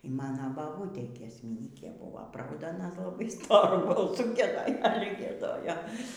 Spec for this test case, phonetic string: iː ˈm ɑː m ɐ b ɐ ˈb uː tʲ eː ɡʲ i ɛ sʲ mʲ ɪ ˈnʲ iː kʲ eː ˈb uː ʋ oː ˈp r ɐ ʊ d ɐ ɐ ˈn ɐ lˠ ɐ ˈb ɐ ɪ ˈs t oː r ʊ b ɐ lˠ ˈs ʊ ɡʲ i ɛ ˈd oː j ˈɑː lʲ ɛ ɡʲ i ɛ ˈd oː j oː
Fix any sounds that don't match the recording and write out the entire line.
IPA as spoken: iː ˈm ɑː n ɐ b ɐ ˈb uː tʲ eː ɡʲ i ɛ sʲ mʲ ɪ ˈnʲ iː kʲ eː ˈb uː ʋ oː ˈp r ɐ ʊ d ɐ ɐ ˈn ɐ lˠ ɐ ˈb ɐ ɪ ˈs t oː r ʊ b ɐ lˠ ˈs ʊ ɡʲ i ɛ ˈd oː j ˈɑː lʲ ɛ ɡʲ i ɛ ˈd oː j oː